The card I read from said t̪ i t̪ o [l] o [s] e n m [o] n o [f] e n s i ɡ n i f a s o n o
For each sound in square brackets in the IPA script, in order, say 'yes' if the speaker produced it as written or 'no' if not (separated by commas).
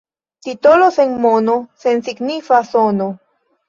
yes, yes, yes, no